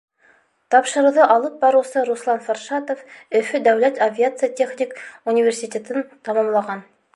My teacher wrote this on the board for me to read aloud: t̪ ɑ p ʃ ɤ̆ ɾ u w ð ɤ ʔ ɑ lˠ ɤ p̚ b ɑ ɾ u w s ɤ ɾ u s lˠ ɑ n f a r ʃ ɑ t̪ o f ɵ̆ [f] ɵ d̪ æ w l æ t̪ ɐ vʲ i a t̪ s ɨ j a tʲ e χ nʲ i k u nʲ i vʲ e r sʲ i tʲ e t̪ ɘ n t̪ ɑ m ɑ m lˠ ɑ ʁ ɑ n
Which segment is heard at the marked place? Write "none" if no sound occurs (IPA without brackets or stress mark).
f